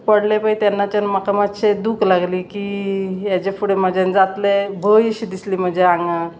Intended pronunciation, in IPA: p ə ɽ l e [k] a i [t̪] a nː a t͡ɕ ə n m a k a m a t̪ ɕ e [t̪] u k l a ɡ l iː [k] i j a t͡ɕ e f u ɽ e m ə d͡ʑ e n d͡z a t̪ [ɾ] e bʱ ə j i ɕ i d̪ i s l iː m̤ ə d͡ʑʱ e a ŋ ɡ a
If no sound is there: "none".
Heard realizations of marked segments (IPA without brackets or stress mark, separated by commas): p, t̪, d̪, k, l